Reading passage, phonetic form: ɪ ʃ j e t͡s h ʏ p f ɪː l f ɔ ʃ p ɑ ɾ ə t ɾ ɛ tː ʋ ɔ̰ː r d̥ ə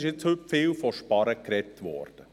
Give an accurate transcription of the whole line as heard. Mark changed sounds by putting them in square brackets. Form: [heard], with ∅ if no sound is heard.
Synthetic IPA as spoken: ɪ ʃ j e t͡s h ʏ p f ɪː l f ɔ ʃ p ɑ ɾ ə [k] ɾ ɛ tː ʋ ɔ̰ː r d̥ ə